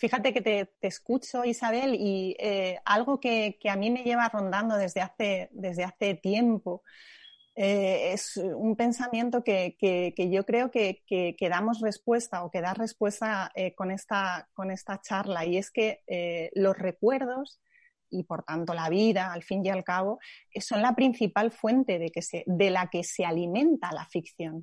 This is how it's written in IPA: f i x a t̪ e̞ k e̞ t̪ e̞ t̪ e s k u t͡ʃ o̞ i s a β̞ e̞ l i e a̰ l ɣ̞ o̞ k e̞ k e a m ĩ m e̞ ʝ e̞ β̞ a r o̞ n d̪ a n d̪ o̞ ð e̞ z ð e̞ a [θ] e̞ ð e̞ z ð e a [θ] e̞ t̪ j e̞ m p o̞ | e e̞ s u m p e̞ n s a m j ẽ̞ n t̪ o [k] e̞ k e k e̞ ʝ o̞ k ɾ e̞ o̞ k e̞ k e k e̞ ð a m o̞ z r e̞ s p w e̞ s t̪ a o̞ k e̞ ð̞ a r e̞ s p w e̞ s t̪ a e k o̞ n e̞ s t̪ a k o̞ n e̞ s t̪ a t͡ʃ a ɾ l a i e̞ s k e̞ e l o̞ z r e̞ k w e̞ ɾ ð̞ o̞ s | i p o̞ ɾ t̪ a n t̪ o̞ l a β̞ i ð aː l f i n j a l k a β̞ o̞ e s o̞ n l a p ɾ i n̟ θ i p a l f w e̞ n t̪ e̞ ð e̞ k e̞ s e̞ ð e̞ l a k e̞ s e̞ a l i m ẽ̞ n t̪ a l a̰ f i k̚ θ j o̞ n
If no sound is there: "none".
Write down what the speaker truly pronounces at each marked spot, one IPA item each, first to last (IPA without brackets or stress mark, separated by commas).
θ, θ, k